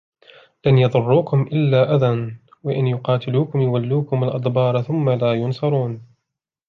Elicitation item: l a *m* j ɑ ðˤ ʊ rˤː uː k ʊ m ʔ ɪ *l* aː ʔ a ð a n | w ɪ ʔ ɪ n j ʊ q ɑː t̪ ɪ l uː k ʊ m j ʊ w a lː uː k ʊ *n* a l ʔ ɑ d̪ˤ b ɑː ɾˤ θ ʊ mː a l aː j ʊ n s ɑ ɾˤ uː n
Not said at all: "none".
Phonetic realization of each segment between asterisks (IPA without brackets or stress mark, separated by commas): n, lː, m